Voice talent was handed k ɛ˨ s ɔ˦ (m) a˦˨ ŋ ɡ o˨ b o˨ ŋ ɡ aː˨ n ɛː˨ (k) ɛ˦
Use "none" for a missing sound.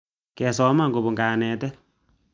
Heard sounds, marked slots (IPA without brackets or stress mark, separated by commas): m, t